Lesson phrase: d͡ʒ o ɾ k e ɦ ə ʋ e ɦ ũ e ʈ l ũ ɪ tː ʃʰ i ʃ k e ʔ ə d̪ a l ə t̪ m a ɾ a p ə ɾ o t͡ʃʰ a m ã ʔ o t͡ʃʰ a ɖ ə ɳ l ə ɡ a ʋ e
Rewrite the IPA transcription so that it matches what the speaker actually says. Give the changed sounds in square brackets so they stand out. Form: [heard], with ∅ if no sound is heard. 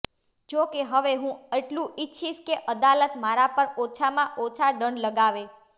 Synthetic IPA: d͡ʒ o [∅] k e ɦ ə ʋ e ɦ ũ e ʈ l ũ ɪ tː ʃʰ i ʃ k e ʔ ə d̪ a l ə t̪ m a ɾ a p ə ɾ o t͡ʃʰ a m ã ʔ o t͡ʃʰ a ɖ ə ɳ l ə ɡ a ʋ e